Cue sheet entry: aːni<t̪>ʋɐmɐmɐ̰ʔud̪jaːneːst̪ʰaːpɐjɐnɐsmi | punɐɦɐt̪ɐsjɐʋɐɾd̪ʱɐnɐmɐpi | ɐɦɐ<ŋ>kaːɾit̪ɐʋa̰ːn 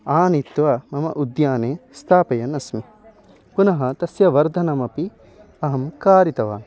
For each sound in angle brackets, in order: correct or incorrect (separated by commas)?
correct, incorrect